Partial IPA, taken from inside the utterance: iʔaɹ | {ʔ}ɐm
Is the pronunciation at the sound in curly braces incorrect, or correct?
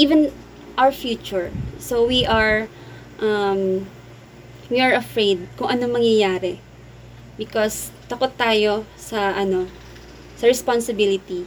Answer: correct